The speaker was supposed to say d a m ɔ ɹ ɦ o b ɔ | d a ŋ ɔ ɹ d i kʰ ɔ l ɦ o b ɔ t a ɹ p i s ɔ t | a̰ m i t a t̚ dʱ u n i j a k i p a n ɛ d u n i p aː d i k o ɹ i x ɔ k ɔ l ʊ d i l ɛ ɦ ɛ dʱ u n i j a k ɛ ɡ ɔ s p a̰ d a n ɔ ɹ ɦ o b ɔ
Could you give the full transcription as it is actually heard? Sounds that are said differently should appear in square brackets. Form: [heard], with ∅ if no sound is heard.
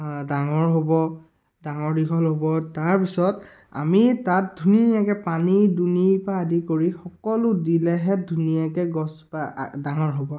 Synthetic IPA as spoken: d a [ŋ] ɔ ɹ ɦ o b ɔ | d a ŋ ɔ ɹ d i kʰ ɔ l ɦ o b ɔ t a ɹ p i s ɔ t | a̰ m i t a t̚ dʱ u n i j a k [ɛ] p a n [i] d u n i p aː d i k o ɹ i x ɔ k ɔ l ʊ d i l ɛ ɦ ɛ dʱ u n i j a k ɛ ɡ ɔ s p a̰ d a [ŋ] ɔ ɹ ɦ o b ɔ